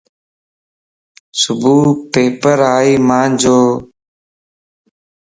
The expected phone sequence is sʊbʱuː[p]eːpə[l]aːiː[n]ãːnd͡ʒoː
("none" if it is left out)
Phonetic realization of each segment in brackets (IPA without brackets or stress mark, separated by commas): p, ɾ, m